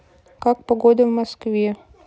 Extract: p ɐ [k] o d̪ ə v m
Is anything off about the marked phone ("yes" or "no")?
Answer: yes